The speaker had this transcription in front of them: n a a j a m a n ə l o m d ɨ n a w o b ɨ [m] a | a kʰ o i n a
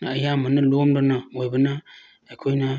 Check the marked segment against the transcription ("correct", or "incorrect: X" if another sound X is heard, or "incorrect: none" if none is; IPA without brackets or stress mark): incorrect: n